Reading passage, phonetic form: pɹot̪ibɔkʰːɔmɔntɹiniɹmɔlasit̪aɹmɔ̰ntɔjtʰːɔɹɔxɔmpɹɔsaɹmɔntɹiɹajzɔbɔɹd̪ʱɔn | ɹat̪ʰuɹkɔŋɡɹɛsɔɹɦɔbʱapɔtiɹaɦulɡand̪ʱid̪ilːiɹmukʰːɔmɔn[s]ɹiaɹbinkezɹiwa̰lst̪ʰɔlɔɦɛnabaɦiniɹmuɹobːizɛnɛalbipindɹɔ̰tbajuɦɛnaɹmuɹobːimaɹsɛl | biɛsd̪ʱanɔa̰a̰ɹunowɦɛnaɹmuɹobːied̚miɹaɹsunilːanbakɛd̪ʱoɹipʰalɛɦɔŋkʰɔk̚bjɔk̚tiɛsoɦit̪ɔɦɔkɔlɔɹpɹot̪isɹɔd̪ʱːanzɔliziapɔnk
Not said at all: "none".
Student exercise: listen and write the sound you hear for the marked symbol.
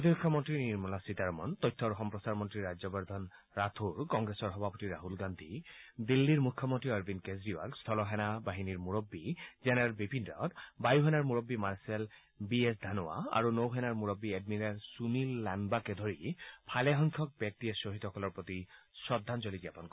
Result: t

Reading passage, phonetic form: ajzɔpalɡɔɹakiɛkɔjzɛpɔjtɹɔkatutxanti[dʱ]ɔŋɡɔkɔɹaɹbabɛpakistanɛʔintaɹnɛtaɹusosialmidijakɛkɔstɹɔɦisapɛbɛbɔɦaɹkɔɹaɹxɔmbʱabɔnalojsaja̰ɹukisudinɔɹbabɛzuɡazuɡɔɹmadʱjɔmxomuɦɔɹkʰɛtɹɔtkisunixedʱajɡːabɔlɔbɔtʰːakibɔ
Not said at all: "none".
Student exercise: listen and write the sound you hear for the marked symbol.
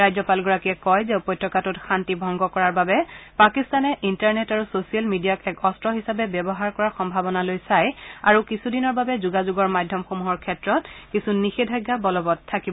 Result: bʱ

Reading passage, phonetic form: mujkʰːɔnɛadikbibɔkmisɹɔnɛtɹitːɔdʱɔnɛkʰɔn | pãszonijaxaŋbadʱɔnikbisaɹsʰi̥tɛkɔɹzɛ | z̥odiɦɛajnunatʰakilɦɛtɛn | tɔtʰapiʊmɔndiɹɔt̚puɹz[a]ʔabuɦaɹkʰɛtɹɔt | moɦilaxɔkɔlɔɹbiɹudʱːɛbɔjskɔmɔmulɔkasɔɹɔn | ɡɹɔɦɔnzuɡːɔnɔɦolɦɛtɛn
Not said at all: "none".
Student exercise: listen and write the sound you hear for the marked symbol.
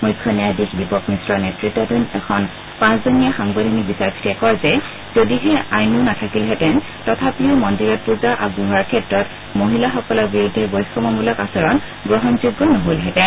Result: a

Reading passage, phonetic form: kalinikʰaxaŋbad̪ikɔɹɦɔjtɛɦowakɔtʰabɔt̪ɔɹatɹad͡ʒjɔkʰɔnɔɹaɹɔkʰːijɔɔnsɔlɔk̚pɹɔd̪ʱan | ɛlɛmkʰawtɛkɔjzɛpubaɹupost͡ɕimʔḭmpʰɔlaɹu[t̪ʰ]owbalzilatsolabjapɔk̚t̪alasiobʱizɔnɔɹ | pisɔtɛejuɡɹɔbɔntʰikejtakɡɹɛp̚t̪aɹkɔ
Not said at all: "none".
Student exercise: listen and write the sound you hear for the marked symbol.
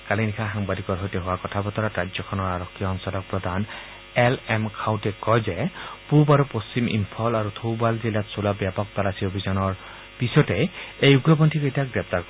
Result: t̪ʰ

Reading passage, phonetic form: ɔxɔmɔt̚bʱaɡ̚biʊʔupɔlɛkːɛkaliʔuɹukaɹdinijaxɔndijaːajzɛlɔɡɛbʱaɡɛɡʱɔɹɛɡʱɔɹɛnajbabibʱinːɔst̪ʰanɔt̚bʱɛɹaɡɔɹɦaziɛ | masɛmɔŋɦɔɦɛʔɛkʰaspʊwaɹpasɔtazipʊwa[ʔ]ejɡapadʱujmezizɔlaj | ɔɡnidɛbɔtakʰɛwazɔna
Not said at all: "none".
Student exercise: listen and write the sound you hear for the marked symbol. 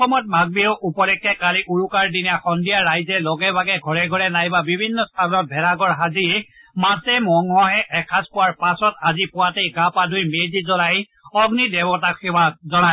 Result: t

